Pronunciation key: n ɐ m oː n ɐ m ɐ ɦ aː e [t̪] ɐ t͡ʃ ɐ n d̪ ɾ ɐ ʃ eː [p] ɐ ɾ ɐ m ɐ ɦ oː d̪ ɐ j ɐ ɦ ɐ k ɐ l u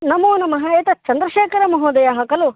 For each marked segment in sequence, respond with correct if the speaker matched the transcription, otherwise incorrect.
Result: correct, incorrect

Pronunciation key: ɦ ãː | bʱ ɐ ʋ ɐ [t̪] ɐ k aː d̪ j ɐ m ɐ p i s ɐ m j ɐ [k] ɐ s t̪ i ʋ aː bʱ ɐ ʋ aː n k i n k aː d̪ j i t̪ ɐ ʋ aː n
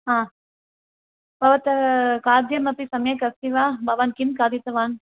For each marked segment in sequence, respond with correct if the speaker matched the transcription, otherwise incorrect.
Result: correct, correct

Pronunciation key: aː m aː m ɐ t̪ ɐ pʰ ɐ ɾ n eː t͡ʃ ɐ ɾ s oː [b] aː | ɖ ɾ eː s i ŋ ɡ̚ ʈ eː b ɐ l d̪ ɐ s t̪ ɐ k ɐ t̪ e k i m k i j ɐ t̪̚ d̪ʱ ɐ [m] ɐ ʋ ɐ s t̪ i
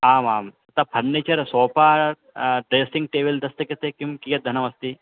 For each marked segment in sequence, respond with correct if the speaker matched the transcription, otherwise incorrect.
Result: incorrect, incorrect

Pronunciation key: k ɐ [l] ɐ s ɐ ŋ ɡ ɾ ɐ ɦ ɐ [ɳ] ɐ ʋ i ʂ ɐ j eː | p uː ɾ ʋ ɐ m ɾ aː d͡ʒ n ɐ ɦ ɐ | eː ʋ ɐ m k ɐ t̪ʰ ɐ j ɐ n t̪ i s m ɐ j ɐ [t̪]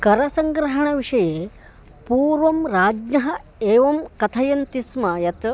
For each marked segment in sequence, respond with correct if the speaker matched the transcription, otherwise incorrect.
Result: incorrect, correct, correct

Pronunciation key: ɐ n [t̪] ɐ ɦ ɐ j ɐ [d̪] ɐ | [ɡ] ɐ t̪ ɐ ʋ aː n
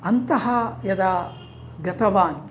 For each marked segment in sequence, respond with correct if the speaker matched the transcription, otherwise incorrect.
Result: correct, correct, correct

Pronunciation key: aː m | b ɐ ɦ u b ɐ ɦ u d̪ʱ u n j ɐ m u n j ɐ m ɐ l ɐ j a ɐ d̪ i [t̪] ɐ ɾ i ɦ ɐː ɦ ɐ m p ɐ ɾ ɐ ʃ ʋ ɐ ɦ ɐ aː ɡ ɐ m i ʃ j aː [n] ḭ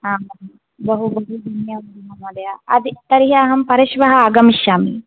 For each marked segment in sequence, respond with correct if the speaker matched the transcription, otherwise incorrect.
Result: correct, incorrect

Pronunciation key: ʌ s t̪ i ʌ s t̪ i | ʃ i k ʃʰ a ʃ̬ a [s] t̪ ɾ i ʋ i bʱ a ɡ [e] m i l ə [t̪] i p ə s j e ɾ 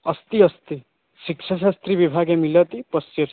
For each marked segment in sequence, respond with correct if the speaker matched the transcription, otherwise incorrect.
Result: correct, correct, correct

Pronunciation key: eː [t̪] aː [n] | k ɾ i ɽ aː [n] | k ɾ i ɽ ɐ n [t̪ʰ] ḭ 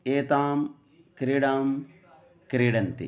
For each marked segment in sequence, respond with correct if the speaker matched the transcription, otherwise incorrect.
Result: correct, incorrect, incorrect, incorrect

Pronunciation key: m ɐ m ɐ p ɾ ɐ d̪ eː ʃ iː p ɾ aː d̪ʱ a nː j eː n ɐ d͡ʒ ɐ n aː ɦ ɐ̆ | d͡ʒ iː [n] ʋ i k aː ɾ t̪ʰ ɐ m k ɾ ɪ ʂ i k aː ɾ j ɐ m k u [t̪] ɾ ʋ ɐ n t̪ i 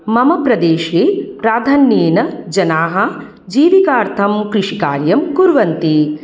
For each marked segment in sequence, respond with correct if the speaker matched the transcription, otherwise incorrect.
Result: incorrect, incorrect

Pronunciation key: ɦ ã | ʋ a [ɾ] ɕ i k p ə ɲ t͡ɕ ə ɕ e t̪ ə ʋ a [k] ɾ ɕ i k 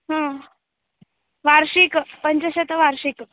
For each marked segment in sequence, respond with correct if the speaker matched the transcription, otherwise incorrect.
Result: correct, incorrect

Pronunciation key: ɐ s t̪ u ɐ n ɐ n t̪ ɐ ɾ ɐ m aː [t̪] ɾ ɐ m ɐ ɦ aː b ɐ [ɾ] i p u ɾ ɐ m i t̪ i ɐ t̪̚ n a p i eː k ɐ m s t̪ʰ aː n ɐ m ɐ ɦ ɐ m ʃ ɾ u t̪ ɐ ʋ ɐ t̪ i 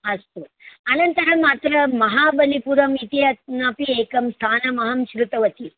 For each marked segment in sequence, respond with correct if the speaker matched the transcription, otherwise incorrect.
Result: correct, incorrect

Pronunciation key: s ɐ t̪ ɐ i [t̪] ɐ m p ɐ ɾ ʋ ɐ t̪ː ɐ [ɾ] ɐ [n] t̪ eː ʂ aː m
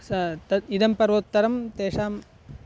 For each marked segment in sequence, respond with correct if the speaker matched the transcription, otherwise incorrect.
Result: incorrect, correct, incorrect

